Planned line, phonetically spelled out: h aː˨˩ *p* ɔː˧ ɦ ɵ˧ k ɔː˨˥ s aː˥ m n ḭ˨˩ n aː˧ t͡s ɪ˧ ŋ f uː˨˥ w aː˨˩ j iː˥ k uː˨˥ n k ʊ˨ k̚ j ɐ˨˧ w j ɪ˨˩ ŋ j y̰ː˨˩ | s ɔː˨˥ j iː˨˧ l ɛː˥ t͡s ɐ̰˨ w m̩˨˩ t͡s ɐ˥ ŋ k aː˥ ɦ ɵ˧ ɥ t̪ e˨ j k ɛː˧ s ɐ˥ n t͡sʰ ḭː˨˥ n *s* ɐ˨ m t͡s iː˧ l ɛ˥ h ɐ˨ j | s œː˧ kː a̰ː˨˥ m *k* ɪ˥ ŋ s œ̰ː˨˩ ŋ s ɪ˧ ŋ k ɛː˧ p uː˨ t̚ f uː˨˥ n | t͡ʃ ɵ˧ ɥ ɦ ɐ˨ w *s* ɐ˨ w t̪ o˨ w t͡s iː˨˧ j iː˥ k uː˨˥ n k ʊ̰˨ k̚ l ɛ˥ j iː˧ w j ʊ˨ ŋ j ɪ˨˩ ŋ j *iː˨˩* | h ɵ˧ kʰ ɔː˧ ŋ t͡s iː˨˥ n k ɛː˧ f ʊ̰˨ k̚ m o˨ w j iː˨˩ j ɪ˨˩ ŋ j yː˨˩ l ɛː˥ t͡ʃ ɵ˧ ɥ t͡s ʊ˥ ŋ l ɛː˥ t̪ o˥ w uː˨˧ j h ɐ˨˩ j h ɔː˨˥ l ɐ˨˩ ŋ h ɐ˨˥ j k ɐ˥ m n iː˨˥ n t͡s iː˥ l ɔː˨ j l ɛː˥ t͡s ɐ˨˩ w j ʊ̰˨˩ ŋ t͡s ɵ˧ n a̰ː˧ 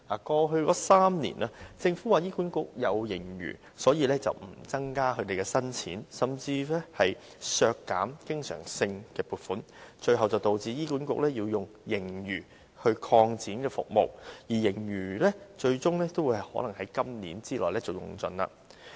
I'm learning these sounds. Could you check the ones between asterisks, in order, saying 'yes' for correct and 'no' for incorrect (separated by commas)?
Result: no, yes, yes, no, no